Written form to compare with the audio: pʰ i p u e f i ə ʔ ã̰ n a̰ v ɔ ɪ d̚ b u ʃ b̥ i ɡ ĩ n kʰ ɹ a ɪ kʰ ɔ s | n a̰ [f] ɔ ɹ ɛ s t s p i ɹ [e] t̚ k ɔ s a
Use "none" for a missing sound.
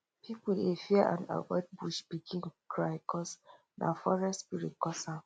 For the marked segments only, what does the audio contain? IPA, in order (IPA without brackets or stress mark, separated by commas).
f, i